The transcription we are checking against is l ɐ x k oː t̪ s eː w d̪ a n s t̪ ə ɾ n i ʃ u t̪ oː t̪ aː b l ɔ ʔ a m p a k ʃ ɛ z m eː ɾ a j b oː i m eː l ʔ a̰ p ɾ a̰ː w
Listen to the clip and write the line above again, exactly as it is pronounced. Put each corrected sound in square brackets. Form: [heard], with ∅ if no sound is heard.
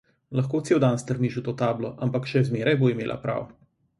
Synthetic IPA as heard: l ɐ x k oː t̪ s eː w d̪ a n s t̪ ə ɾ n i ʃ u t̪ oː t̪ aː b l ɔ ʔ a m p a k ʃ ɛ z m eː ɾ a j b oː i m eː l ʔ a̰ p ɾ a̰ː w